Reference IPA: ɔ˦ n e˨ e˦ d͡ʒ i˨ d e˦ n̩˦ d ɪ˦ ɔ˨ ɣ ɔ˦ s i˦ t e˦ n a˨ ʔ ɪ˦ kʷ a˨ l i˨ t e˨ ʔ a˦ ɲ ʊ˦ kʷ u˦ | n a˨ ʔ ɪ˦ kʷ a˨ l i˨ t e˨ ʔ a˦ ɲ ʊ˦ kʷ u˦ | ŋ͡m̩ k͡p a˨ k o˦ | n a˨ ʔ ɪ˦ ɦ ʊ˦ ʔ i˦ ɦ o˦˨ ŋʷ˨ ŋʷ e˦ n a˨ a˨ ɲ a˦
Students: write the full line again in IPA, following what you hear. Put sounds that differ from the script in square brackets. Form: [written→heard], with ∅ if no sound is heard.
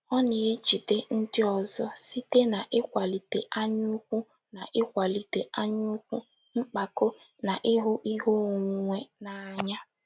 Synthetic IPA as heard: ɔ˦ n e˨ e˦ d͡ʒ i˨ d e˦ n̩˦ d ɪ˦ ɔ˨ [ɣ→z] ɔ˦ s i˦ t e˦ n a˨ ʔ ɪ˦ kʷ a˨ l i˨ t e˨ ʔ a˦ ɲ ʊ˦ kʷ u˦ | n a˨ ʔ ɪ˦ kʷ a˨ l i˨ t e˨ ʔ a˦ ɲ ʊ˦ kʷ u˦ | ŋ͡m̩ k͡p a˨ k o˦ | n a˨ ʔ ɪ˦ ɦ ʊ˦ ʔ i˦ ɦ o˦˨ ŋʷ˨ ŋʷ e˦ n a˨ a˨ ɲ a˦